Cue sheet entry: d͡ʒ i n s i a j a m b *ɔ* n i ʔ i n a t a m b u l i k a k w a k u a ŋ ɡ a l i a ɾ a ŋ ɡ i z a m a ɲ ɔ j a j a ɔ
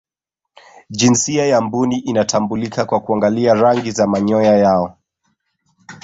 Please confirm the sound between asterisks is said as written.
no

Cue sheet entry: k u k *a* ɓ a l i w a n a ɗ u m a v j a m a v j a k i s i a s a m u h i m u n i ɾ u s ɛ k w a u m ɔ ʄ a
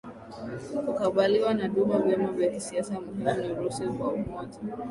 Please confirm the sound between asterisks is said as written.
yes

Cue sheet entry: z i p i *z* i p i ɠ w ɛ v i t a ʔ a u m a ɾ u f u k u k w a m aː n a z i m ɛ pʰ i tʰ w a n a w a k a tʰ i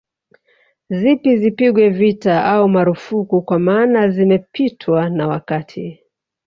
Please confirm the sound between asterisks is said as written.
yes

